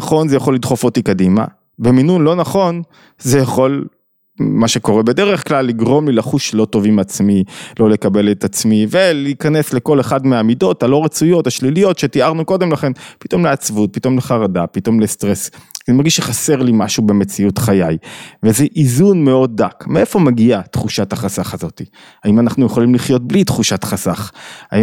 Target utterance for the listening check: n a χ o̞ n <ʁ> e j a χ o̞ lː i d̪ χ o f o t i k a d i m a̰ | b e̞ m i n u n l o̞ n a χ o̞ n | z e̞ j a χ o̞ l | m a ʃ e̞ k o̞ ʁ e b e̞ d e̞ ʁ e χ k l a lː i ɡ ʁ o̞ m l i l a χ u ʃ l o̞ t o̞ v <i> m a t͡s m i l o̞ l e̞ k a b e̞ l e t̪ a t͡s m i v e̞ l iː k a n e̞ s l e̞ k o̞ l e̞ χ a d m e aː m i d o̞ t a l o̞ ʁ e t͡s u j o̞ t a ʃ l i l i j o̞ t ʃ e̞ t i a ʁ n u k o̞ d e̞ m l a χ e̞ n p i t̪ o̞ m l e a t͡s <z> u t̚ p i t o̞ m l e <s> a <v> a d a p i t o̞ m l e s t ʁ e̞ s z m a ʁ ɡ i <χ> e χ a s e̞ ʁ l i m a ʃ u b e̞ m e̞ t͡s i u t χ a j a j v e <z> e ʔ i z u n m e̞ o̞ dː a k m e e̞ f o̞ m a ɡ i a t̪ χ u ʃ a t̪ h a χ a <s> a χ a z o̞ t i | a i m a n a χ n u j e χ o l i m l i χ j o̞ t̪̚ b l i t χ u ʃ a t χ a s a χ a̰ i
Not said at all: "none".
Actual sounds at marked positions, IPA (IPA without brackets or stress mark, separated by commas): z, i, v, χ, ʁ, ʃ, z, s